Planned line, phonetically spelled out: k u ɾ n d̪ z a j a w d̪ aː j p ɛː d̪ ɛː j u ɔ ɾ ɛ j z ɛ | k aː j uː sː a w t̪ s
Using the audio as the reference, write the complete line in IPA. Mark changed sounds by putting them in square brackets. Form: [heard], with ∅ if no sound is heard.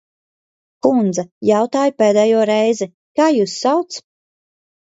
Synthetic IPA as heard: k u [∅] n d̪ z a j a w [t̪] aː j p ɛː d̪ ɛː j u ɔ ɾ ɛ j z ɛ | k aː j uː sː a w t̪ s